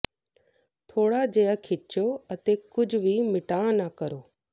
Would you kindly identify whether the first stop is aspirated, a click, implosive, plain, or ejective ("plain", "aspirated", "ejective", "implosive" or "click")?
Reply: aspirated